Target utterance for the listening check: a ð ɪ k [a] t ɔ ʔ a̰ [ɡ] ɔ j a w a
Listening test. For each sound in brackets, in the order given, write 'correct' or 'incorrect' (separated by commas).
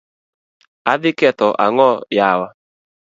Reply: incorrect, incorrect